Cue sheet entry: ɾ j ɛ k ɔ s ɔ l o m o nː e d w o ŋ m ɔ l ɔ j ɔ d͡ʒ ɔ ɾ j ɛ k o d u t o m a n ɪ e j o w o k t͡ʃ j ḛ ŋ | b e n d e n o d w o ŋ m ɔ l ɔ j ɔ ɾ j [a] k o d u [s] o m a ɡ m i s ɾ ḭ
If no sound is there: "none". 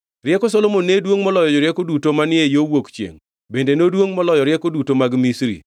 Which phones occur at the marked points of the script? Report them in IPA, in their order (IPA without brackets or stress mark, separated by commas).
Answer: ɛ, t